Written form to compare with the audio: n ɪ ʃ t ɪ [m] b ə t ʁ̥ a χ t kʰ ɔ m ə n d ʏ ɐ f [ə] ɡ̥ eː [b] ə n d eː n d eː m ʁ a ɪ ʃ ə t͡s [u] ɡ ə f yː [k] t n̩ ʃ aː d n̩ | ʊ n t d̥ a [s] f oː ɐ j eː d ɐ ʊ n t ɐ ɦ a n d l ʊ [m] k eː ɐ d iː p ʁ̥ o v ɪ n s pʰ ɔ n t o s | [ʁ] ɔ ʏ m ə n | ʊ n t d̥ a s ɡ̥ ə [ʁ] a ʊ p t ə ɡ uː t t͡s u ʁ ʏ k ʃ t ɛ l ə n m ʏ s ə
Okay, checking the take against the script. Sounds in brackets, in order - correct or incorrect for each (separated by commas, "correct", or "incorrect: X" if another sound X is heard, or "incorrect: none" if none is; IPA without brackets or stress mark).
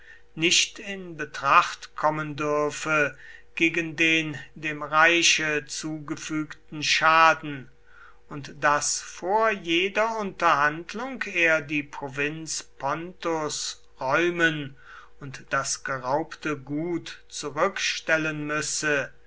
incorrect: n, correct, incorrect: ɡ, incorrect: uː, correct, correct, incorrect: ŋ, correct, correct